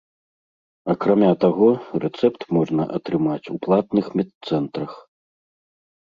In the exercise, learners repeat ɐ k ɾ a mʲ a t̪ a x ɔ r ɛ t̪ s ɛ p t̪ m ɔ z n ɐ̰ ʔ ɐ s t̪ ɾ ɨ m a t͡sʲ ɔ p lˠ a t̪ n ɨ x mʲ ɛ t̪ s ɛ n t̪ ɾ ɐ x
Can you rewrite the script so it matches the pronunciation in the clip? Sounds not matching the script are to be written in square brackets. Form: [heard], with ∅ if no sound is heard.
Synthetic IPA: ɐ k ɾ a mʲ a t̪ a [ɣ] ɔ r ɛ t̪ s ɛ p t̪ m ɔ [ʐ] n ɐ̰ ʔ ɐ [∅] t̪ ɾ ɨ m a t͡sʲ [u] p lˠ a t̪ n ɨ x mʲ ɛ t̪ s ɛ n t̪ ɾ ɐ x

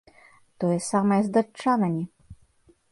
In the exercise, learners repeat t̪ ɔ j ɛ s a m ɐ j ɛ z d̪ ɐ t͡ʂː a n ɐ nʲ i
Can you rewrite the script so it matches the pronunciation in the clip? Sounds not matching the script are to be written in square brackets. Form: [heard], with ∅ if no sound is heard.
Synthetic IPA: t̪ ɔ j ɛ s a m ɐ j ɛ z d̪ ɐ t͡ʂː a n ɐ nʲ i

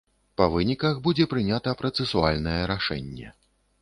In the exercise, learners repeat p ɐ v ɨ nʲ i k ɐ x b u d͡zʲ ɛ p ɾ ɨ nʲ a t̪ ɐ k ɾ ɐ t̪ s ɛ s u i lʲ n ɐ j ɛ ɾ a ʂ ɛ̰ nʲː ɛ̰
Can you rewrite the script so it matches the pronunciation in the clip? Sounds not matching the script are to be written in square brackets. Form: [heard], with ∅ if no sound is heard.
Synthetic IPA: p ɐ v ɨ nʲ i k ɐ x b u d͡zʲ ɛ p ɾ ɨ nʲ a t̪ ɐ [p] ɾ ɐ t̪ s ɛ s u [a] lʲ n ɐ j ɛ ɾ a ʂ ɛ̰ nʲː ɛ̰

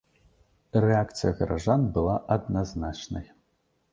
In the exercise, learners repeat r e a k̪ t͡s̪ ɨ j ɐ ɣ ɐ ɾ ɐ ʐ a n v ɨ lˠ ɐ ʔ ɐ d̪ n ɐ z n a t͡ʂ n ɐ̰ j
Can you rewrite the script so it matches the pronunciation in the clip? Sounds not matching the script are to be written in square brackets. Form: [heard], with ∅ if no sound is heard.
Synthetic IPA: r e a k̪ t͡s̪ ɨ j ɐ ɣ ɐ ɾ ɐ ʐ a n [b] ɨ lˠ [a] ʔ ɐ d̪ n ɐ z n a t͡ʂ n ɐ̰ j

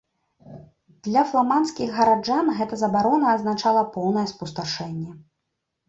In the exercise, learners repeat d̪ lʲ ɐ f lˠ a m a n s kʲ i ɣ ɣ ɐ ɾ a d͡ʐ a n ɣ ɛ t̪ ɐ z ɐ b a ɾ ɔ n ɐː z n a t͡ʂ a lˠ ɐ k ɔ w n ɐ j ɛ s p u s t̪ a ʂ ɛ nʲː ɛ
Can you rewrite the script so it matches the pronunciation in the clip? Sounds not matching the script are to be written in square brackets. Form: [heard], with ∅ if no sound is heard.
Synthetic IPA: d̪ lʲ ɐ f lˠ a m a n s kʲ i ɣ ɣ ɐ ɾ a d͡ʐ a n ɣ ɛ t̪ ɐ z ɐ b a ɾ ɔ n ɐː z n a t͡ʂ a lˠ ɐ [p] ɔ w n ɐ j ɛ s p u s t̪ a ʂ ɛ nʲː ɛ

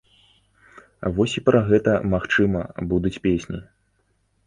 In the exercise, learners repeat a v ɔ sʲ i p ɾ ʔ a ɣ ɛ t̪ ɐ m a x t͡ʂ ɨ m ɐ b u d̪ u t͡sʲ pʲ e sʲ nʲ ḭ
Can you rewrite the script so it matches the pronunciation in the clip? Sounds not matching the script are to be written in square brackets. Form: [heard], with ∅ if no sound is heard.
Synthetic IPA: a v ɔ sʲ i p ɾ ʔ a ɣ ɛ t̪ ɐ m a x t͡ʂ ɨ m ɐ b u d̪ u t͡sʲ pʲ e sʲ nʲ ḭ

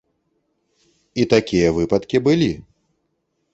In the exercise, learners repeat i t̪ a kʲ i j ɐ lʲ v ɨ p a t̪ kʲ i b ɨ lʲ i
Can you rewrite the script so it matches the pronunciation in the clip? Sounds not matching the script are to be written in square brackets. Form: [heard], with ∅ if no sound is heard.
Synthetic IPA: i t̪ a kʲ i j ɐ [∅] v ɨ p [ɐ] t̪ kʲ i b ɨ lʲ i

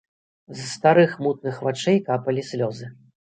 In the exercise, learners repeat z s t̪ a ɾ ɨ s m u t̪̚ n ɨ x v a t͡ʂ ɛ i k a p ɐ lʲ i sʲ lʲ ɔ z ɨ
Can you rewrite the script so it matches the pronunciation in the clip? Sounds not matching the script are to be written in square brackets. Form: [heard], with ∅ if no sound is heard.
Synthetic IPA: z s t̪ a ɾ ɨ [x] m u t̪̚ n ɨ x v a t͡ʂ ɛ [j] k a p ɐ lʲ i sʲ lʲ ɔ z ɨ

